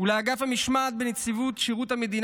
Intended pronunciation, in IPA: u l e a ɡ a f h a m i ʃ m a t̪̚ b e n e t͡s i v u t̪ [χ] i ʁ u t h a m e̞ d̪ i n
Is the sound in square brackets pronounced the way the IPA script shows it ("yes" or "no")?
no